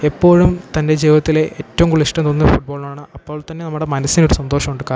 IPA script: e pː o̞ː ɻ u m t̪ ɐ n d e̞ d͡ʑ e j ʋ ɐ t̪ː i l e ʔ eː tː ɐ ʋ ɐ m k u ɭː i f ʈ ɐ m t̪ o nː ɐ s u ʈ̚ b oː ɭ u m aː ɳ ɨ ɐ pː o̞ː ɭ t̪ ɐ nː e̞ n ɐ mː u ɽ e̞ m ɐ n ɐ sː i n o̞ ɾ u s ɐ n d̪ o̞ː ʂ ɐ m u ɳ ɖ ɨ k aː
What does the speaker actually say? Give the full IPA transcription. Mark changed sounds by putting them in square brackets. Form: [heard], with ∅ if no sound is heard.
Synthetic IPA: e pː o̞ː ɻ u m t̪ ɐ n d e̞ d͡ʑ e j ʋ ɐ t̪ː i l e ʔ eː tː ɐ ʋ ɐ m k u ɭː i [ʂ] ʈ ɐ m t̪ o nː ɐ [f] u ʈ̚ b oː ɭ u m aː ɳ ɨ ɐ pː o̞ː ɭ t̪ ɐ nː e̞ n ɐ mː u ɽ e̞ m ɐ n ɐ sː i n o̞ ɾ u s ɐ n d̪ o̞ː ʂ ɐ m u ɳ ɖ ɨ k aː